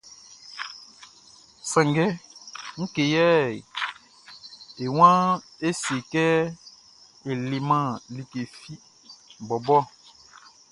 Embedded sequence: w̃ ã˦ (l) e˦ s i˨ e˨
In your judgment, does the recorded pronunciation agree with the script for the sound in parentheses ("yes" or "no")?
no